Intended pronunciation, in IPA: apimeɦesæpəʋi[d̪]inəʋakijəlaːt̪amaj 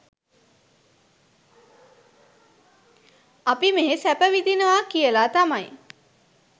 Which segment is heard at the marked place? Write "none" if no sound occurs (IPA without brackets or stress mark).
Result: d̪